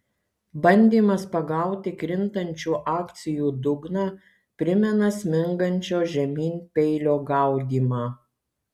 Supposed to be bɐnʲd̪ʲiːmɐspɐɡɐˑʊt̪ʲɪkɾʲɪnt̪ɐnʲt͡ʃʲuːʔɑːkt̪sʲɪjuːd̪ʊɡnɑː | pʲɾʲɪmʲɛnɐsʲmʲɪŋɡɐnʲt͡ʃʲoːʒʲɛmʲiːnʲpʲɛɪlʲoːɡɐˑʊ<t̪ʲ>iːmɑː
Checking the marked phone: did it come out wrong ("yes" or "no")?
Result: yes